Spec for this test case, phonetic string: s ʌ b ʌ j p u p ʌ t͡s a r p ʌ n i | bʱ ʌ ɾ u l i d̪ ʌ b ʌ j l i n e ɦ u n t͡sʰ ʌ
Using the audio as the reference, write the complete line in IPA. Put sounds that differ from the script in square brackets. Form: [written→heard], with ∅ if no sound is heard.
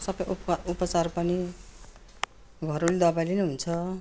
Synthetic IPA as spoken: s ʌ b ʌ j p u p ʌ t͡s a r p ʌ n i | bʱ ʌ ɾ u l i d̪ ʌ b [ʌ→a] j l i n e ɦ u n t͡sʰ ʌ